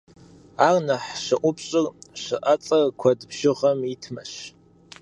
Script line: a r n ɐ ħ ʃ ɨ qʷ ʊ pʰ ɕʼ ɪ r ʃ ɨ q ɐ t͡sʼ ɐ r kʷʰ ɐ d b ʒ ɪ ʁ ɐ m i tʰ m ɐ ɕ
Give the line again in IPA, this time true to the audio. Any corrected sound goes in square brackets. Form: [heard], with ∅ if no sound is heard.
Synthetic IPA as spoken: a r n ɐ ħ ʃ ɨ [ʔʷ] ʊ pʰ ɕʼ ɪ r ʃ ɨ [ʔ] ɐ t͡sʼ ɐ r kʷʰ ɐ d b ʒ ɪ ʁ ɐ m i tʰ m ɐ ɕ